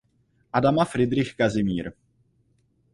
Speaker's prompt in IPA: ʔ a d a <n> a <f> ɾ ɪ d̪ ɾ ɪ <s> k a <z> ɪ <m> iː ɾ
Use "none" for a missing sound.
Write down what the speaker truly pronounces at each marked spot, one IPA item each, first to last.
m, f, x, z, m

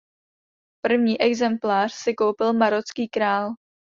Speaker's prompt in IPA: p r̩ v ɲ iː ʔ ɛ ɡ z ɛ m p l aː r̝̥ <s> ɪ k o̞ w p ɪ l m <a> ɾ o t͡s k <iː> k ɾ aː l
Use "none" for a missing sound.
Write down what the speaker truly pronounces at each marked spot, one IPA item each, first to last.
s, a, iː

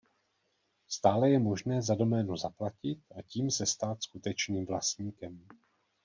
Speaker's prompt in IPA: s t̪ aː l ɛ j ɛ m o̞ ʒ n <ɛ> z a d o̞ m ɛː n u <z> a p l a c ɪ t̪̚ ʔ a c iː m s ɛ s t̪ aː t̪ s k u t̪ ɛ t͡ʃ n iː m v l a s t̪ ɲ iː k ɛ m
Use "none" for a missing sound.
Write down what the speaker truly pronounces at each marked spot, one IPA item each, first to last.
ɛː, z

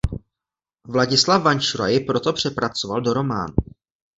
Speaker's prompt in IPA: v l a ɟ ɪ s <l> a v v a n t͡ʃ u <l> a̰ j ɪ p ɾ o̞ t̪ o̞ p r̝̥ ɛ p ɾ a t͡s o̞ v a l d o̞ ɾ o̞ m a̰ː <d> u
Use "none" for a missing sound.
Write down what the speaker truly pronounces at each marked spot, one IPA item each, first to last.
l, ɾ, n

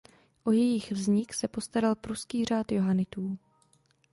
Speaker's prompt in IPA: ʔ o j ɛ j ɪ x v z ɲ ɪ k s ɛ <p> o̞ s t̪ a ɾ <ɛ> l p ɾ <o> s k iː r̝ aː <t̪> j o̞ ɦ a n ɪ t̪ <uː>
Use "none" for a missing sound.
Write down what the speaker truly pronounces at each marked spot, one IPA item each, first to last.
p, a, u, t̪, uː

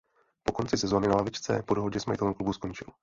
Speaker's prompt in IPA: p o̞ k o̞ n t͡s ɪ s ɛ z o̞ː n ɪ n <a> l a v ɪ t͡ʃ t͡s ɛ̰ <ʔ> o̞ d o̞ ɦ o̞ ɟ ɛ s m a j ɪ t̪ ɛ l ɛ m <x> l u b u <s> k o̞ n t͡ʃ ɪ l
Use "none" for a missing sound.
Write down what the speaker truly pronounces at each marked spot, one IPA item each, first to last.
a, p, k, s

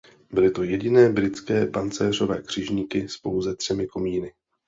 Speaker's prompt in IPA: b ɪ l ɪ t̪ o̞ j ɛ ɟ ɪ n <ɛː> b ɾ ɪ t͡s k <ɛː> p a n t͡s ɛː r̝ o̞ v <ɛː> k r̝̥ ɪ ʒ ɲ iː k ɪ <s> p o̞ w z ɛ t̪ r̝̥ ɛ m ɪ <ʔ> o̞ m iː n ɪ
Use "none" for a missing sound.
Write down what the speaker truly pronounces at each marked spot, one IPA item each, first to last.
ɛː, ɛː, ɛː, s, k

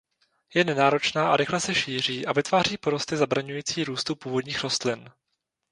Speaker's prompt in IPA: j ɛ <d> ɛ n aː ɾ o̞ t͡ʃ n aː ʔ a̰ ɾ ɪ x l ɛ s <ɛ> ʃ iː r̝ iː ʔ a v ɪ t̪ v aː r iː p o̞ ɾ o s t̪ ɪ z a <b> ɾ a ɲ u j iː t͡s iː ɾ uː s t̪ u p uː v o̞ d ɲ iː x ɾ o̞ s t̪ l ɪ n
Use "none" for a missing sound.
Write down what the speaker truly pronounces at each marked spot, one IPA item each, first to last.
n, ɛ, b

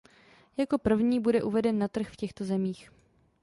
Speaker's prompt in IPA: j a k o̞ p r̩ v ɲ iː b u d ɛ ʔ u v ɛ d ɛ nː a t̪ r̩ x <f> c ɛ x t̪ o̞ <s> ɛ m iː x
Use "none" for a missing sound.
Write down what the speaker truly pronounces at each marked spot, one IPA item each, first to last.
f, z

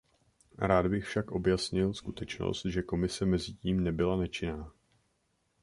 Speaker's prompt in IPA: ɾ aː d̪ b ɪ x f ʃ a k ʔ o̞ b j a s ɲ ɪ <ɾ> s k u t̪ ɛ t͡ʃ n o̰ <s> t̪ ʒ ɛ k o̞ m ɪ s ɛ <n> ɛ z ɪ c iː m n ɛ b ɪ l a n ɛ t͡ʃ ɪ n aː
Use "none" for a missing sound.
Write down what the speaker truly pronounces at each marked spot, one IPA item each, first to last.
l, s, m

